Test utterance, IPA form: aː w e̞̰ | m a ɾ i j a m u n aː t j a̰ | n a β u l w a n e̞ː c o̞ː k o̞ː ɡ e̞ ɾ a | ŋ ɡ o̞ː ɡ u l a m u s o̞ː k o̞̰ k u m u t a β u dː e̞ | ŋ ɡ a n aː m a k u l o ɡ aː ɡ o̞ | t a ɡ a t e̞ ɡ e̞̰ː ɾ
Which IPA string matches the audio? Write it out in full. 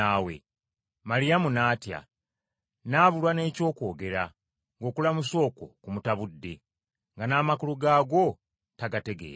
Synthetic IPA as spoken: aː w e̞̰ | m a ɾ i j a m u n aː t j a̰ | n a β u l w a n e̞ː c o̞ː k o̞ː ɡ e̞ ɾ a | ŋ ɡ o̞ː k u l a m u s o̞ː k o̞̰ k u m u t a β u dː e̞ | ŋ ɡ a n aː m a k u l u ɡ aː ɡ o̞ | t a ɡ a t e̞ ɡ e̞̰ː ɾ